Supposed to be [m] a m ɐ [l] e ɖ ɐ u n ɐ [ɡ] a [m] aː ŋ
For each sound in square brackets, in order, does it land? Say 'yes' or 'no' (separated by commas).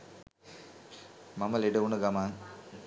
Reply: yes, yes, yes, yes